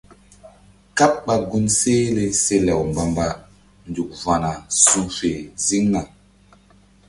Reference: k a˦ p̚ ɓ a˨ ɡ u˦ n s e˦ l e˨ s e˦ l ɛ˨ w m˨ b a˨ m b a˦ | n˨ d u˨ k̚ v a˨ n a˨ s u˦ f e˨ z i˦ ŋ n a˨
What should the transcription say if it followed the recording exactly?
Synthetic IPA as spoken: k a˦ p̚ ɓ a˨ ɡ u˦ n s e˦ l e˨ s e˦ l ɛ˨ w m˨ b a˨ m b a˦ | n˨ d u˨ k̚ v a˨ n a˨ s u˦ f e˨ z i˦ ŋ n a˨